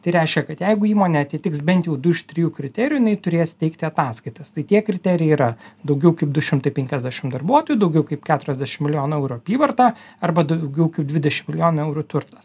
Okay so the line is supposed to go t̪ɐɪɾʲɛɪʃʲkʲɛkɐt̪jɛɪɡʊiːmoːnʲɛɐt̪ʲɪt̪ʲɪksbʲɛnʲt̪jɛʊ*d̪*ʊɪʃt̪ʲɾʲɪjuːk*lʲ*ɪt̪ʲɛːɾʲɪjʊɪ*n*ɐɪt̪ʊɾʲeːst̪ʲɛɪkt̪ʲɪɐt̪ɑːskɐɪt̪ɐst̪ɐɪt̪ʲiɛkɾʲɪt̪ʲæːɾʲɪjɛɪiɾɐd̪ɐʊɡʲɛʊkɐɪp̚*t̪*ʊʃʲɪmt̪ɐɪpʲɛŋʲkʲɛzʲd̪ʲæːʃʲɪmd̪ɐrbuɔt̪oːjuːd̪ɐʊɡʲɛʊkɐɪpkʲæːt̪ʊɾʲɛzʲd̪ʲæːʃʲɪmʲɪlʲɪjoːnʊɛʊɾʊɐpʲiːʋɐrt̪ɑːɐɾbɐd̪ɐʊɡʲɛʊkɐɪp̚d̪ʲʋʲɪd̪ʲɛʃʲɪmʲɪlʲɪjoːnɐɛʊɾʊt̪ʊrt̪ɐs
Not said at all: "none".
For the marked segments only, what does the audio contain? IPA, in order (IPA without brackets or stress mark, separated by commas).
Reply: d̪, ɾʲ, n, d̪